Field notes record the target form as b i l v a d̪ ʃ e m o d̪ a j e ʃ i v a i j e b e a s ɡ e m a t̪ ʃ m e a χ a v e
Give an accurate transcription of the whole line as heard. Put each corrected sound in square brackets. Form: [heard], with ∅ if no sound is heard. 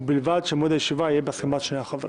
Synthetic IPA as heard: b i l v a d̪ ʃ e m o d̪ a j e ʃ i v a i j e b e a s [k] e m a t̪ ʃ [n] e a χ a v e

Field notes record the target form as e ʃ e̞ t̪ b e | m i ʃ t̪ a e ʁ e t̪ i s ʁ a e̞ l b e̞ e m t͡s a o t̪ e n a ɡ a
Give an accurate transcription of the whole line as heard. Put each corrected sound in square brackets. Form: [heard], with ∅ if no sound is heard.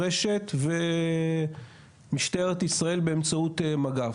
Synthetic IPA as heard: e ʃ e̞ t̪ [v] e | m i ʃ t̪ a e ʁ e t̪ i s ʁ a e̞ l b e̞ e m t͡s a [u] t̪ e [m] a ɡ a

